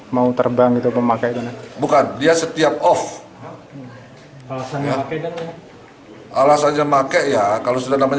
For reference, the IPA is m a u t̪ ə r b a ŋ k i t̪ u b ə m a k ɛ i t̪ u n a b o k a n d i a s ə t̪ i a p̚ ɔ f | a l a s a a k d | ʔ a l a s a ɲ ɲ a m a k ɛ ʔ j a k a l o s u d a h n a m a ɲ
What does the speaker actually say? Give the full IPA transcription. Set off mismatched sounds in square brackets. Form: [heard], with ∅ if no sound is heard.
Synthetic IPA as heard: m a u t̪ ə r b a ŋ [ɡ] i t̪ u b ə m a k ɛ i t̪ u n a b [u] k a n d i a s ə t̪ i a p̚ ɔ f | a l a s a a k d | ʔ a l a s a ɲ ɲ a m a k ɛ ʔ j a k a l o s u d a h n a m a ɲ